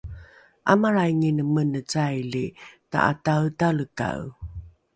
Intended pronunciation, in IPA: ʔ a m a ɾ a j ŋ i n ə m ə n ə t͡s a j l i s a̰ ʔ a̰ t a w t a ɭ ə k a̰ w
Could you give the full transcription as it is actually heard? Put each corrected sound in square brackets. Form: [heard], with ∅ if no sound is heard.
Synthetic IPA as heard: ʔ a m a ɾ a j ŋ i n ə m ə n ə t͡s a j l i [t] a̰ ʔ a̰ t a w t a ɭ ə k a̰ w